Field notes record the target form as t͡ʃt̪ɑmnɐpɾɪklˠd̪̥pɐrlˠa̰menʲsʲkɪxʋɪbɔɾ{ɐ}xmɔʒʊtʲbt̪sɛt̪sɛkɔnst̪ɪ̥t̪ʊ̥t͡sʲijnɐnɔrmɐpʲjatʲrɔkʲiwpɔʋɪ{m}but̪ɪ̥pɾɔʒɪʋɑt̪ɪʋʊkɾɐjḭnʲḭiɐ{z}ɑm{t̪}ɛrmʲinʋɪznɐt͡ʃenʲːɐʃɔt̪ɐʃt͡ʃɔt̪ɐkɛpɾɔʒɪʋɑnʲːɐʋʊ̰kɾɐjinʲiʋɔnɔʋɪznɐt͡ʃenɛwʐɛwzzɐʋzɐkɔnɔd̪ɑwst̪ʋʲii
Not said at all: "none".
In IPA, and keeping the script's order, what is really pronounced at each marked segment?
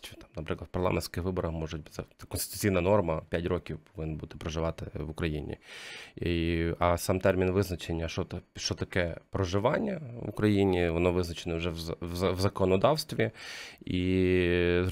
ɐ, n, s, t̪

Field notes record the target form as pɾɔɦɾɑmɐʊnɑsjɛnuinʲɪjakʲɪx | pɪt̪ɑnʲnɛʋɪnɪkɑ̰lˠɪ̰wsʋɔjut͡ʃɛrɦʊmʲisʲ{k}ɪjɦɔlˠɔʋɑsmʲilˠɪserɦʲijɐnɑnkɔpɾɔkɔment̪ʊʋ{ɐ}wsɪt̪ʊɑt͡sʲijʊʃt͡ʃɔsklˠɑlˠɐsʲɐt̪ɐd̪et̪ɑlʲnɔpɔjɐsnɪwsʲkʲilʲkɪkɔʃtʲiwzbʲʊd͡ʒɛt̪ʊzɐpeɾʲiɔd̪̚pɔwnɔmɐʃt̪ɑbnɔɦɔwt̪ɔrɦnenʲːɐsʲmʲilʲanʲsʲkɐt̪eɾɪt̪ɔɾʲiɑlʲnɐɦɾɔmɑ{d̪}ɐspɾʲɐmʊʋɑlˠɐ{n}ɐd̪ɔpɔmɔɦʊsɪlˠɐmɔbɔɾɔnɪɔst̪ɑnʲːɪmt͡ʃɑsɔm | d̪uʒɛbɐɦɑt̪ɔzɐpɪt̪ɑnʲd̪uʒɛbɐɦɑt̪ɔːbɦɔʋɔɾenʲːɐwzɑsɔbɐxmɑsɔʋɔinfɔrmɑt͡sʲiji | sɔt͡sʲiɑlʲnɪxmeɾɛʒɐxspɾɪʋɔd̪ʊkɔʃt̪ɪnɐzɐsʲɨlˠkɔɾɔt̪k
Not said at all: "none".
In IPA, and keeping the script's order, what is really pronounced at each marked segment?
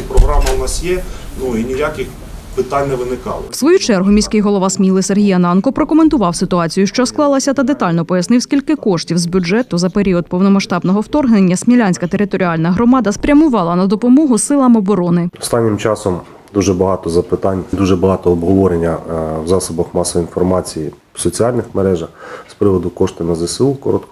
k, ɑ, d̪, n

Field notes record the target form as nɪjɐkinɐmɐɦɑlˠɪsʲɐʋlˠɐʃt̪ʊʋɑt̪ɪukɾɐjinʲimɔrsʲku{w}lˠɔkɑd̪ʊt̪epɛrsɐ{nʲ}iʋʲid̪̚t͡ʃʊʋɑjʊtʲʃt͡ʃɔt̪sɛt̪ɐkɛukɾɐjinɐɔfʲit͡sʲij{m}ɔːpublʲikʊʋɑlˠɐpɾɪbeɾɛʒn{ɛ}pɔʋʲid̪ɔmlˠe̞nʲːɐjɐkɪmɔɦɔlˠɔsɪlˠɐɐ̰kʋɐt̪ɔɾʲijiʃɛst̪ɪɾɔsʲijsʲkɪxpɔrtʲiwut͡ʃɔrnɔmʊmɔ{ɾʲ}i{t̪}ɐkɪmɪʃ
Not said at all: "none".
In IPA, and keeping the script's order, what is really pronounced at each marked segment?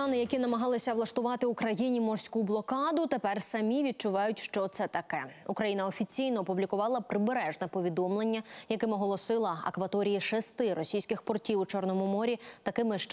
b, mʲ, n, ɛ, ɾʲ, t̪

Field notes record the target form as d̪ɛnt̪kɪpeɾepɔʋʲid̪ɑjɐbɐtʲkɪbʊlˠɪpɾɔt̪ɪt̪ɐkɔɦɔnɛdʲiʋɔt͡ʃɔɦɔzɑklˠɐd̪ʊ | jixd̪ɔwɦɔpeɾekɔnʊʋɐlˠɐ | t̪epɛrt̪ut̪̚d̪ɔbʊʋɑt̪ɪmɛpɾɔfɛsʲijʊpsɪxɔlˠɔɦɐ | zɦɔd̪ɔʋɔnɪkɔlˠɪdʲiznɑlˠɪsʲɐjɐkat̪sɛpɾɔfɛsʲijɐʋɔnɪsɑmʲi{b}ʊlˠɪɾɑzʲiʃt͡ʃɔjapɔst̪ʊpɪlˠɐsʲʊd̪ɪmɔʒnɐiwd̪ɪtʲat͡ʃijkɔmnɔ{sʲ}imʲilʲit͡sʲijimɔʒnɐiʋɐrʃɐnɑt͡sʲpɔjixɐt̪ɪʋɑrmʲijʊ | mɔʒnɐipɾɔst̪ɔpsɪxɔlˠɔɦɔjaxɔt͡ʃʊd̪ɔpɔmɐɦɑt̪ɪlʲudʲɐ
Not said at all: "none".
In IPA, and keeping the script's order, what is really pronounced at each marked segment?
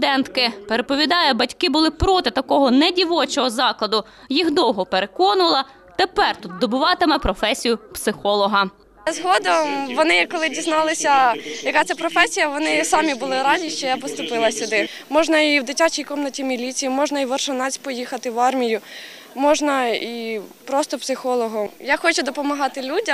b, tʲ

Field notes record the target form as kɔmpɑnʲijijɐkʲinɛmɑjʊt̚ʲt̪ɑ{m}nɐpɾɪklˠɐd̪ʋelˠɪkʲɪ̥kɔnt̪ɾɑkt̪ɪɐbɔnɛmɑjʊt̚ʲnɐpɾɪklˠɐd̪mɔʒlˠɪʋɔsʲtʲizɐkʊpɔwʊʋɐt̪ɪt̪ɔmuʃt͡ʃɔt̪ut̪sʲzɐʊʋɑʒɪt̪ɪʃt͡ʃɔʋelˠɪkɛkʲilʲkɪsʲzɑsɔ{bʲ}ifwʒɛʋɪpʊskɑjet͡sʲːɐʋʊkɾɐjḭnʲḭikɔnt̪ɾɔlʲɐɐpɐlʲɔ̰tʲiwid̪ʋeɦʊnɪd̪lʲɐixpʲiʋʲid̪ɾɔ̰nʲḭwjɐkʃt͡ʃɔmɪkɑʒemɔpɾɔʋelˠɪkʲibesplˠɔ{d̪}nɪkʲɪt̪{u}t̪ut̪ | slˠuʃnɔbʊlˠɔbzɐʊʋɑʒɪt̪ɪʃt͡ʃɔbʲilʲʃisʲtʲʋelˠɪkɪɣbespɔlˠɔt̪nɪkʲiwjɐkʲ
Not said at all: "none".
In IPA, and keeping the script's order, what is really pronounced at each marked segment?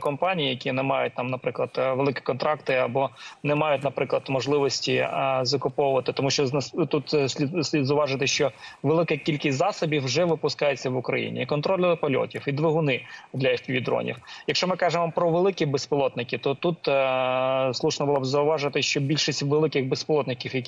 m, bʲ, t̪, ɔ

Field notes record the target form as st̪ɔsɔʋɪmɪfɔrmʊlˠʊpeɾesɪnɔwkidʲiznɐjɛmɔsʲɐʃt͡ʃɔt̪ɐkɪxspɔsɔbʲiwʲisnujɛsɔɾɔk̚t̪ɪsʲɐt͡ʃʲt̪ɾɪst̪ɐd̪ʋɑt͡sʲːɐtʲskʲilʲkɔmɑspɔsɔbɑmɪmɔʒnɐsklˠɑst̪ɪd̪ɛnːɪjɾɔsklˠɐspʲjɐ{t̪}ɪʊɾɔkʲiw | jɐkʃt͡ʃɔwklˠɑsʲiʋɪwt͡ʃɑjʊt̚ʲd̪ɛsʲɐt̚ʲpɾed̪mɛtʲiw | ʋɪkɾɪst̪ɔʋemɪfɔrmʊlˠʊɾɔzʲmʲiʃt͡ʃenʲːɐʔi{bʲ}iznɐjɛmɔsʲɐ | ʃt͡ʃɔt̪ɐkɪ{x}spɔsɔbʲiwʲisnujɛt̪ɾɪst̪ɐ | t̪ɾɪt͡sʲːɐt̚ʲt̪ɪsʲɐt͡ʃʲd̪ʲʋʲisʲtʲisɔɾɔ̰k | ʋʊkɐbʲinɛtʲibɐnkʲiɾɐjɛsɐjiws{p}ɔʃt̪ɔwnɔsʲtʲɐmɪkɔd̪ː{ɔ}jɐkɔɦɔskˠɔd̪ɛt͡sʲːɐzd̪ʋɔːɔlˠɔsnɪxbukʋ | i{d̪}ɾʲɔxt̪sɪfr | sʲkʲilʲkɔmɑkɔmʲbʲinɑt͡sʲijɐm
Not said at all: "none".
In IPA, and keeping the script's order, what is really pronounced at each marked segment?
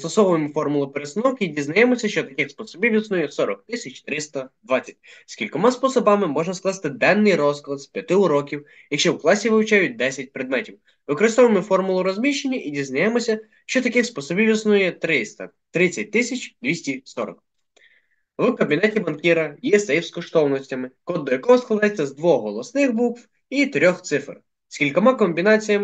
t̪, dʲ, x, k, ɔ, t̪

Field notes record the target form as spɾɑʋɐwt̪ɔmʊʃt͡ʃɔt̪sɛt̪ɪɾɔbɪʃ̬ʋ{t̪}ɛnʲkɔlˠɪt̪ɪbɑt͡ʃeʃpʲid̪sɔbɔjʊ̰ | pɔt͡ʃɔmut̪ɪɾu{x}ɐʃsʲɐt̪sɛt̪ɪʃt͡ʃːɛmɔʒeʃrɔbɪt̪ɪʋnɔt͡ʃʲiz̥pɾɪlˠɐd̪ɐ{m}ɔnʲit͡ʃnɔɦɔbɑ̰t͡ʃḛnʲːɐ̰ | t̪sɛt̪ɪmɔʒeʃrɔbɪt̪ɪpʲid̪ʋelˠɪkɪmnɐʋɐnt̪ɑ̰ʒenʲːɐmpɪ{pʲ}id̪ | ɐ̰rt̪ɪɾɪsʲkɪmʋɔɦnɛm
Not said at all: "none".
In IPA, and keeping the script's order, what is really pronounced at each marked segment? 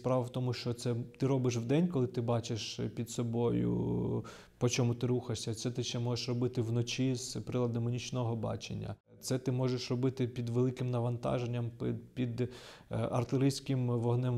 d̪, x, m, pʲ

